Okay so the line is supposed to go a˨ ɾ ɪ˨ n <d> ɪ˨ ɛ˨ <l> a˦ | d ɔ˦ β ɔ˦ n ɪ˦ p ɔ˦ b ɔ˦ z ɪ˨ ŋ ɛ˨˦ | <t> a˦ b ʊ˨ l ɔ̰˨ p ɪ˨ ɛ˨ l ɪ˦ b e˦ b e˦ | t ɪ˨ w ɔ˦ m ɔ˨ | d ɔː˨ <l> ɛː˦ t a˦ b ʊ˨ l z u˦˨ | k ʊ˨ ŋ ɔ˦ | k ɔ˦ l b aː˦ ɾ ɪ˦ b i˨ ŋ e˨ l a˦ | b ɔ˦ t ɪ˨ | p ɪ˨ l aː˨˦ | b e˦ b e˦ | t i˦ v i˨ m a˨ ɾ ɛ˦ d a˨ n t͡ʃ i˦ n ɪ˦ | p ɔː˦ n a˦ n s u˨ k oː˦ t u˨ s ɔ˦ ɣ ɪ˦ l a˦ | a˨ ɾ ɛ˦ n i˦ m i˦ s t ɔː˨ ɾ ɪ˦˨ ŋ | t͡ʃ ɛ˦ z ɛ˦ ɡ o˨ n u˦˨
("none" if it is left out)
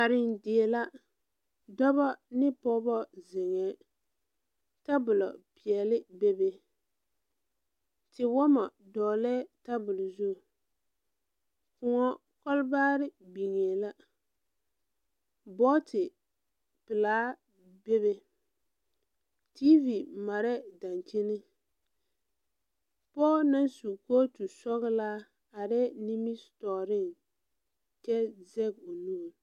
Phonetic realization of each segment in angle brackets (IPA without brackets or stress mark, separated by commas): d, l, t, l